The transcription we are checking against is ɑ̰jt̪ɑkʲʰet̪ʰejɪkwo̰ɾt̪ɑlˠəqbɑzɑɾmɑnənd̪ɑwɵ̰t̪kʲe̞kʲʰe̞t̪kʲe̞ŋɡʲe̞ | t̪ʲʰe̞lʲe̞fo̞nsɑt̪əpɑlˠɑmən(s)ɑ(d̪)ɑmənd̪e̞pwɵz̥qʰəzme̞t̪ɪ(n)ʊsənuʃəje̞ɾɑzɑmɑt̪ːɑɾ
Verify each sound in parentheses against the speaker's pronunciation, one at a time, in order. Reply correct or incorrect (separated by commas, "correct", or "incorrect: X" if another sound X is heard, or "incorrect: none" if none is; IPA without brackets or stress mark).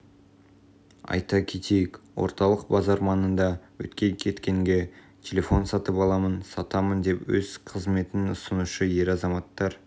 correct, incorrect: t̪, correct